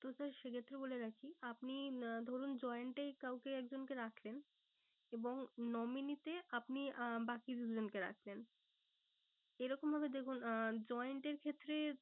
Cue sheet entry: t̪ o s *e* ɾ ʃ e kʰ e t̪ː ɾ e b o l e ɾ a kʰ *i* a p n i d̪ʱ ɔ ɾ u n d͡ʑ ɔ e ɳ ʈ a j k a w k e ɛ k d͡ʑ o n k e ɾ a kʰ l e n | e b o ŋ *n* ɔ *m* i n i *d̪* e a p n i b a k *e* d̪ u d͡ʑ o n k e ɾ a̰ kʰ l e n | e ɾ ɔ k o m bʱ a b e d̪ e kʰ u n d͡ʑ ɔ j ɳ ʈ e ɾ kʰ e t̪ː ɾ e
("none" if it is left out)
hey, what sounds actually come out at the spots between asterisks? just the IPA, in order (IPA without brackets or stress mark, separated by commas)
a, i, n, m, t̪, i